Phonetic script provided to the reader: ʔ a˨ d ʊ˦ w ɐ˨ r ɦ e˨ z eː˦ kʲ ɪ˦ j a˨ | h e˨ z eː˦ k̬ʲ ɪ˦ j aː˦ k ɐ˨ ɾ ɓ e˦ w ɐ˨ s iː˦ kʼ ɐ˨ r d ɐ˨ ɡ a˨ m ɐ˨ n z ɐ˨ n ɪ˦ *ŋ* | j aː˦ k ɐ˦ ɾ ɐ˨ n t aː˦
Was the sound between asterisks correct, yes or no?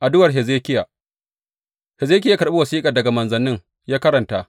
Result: yes